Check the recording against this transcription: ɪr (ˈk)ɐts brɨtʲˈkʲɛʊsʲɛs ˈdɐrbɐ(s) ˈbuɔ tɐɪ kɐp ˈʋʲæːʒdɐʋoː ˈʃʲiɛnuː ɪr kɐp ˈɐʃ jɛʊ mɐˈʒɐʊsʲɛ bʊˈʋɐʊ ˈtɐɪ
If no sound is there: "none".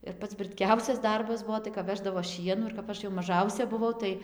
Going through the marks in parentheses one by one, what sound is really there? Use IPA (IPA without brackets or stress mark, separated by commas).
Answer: p, s